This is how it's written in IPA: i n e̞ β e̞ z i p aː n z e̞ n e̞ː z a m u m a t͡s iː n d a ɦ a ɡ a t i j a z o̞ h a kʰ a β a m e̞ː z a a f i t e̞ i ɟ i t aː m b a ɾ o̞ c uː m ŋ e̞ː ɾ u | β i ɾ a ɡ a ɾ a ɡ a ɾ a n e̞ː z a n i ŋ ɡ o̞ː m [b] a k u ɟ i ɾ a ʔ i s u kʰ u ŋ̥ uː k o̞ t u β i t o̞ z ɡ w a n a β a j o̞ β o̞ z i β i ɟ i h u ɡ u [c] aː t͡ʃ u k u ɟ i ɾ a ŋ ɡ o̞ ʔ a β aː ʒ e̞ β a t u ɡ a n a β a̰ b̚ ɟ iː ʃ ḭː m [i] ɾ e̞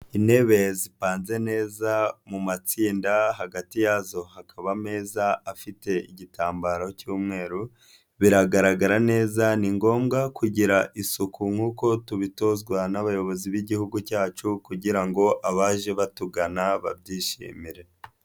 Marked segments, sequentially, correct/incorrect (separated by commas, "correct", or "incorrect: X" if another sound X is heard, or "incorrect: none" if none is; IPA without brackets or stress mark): incorrect: ɡ, correct, correct